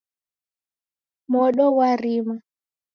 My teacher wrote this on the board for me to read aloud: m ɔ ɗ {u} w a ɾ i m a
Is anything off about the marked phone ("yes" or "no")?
yes